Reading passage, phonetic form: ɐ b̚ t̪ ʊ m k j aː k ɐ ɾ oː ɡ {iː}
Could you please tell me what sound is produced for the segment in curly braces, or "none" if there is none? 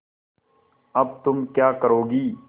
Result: iː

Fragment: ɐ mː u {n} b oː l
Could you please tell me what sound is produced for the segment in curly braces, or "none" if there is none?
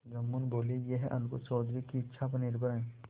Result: n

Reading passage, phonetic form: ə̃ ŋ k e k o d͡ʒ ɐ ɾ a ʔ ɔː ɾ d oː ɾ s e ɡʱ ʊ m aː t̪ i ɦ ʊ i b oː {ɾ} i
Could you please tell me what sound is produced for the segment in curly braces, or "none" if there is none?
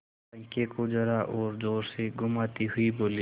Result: l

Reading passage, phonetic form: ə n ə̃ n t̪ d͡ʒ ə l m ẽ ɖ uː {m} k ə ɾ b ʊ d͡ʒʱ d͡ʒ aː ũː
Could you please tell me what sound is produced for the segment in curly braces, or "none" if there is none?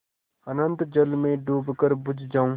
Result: b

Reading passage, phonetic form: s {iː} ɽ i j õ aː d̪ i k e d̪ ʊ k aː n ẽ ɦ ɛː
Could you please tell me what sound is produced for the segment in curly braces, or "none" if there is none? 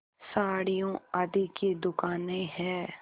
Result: aː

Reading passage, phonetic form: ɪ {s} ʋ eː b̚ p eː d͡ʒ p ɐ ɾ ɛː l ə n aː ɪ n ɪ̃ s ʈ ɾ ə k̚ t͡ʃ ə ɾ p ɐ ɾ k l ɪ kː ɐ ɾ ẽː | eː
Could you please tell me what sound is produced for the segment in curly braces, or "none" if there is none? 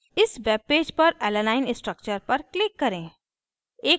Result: s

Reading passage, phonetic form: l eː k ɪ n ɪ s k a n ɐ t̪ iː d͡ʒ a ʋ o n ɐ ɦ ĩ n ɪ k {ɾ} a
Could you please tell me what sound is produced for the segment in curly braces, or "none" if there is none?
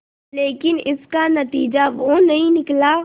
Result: l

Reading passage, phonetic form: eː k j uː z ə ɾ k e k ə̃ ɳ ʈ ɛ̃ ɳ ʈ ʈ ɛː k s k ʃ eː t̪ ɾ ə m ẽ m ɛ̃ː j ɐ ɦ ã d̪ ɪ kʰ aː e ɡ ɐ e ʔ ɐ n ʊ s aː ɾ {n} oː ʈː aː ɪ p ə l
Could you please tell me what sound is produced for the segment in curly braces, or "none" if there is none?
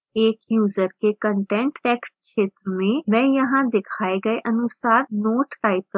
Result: n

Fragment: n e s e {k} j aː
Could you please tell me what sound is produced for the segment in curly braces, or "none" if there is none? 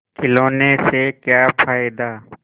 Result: k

